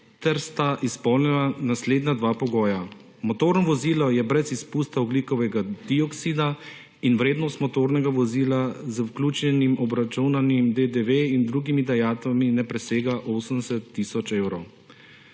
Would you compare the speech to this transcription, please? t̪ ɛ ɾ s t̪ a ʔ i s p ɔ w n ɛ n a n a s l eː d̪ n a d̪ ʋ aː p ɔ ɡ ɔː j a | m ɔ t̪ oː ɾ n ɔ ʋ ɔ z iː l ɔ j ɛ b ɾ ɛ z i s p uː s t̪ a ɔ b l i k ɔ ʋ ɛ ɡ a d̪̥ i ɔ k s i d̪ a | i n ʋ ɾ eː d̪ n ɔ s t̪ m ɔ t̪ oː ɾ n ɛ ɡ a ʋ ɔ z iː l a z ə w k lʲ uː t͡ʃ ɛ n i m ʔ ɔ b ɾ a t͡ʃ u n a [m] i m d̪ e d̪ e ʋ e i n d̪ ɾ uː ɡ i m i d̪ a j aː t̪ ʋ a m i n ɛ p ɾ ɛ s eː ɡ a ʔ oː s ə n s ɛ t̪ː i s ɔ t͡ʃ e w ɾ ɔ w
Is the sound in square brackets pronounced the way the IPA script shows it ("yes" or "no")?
no